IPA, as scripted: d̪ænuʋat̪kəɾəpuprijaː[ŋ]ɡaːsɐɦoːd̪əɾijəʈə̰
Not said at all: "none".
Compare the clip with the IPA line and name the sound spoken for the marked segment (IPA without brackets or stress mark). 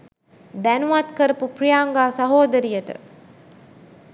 ŋ